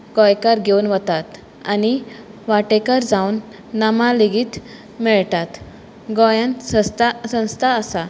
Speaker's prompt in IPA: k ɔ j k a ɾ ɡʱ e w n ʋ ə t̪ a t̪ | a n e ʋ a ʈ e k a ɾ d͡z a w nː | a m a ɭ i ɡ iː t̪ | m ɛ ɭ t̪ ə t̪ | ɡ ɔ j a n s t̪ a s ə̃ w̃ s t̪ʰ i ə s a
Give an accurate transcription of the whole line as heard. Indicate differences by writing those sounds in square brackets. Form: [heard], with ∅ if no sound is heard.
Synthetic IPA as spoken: [ɡ] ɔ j k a ɾ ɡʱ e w n ʋ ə t̪ a t̪ | a n [i] ʋ a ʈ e k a ɾ d͡z a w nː | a m a [l] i ɡ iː t̪ | m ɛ ɭ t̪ [a] t̪ | ɡ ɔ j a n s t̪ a s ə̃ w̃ s t̪ʰ [a] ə s a